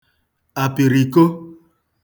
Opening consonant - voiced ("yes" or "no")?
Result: no